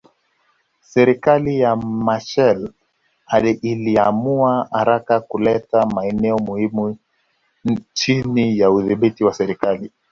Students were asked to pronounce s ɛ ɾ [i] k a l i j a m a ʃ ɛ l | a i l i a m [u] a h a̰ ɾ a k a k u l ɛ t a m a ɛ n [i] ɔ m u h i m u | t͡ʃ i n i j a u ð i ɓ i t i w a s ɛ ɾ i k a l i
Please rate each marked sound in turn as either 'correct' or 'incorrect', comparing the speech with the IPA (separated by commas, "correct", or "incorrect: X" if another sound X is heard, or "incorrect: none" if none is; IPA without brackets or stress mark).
correct, correct, incorrect: ɛ